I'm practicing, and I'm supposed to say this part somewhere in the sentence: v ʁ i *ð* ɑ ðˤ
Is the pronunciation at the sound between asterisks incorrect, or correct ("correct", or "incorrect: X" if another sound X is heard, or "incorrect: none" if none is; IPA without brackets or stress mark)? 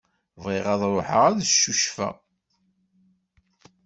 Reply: incorrect: ʁ